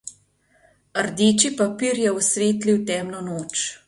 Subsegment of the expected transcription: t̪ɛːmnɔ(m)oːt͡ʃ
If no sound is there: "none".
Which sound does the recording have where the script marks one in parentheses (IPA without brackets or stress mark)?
n